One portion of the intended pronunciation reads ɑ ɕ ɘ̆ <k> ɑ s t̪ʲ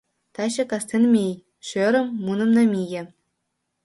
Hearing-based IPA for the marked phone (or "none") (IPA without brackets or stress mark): k